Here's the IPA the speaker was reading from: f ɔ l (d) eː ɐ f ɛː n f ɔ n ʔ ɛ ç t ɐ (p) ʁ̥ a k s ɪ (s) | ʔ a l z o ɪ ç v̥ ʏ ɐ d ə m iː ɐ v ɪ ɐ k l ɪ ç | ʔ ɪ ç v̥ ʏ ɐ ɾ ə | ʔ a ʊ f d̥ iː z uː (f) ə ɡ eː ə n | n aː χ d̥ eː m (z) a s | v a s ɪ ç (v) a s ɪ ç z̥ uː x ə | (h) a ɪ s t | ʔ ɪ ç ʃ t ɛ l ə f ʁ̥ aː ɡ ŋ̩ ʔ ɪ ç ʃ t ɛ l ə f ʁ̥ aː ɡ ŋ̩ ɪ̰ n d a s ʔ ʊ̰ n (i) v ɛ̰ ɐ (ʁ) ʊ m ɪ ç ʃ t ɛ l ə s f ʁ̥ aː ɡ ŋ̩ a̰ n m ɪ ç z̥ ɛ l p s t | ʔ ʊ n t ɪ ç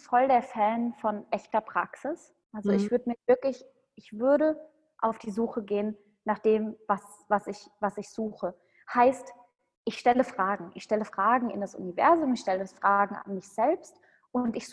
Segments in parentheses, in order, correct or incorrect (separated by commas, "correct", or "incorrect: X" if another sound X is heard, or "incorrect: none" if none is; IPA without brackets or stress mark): correct, correct, correct, incorrect: x, incorrect: v, correct, correct, correct, incorrect: z